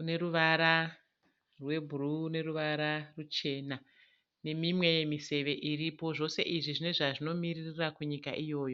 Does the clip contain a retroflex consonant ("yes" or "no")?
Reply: yes